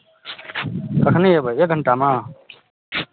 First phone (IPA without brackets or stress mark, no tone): k